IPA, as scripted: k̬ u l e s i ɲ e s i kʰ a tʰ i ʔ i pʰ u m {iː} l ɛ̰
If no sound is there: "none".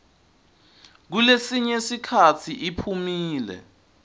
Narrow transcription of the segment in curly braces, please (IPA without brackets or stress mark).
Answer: iː